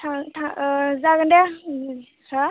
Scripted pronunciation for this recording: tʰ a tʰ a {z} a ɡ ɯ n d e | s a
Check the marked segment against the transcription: correct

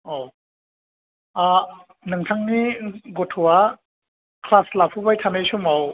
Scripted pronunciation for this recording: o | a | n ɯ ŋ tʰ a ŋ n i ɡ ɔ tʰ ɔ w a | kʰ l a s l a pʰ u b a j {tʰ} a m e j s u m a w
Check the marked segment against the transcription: correct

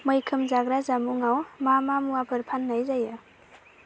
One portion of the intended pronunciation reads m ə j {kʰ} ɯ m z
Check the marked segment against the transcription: correct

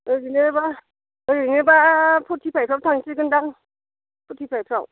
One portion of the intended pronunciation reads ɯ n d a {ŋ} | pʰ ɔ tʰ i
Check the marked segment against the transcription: correct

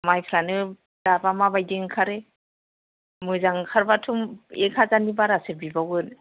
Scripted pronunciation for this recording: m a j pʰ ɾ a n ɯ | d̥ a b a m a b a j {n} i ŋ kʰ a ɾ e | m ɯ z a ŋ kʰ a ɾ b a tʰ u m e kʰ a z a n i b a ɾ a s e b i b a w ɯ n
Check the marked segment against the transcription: incorrect: d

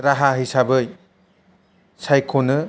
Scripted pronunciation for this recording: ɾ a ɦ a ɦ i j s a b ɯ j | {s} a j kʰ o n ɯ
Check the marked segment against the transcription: correct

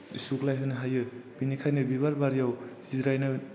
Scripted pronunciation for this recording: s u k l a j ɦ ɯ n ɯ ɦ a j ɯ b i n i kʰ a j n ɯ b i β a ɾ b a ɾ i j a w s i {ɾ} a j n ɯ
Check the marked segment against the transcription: correct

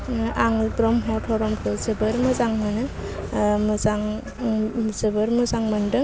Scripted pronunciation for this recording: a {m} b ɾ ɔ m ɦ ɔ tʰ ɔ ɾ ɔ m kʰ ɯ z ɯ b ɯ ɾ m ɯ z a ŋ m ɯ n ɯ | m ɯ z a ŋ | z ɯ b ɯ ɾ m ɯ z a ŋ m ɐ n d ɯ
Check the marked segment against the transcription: incorrect: ŋ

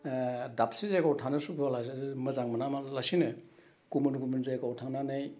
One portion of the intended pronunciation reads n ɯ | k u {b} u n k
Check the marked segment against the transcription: incorrect: m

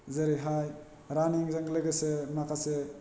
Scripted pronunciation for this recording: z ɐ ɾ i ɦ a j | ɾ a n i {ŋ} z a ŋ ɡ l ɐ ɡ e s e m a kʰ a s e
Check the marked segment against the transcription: correct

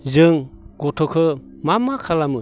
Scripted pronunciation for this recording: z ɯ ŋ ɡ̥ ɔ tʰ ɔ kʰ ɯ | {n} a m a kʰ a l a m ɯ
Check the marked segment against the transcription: incorrect: m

